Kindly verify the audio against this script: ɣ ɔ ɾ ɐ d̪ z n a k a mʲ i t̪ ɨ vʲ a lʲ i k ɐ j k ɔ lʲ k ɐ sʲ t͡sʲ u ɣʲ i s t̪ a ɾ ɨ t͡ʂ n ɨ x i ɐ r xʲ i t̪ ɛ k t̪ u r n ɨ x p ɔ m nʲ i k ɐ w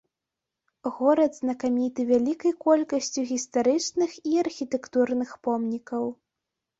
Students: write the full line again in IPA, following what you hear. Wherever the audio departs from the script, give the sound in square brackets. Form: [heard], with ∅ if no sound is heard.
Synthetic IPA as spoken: ɣ ɔ ɾ ɐ d̪ z n [ɐ] k a mʲ i t̪ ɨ vʲ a lʲ i k ɐ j k ɔ lʲ k ɐ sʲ t͡sʲ u ɣʲ i s t̪ a ɾ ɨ t͡ʂ n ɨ x i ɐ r xʲ i t̪ ɛ k t̪ u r n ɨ x p ɔ m nʲ i k ɐ w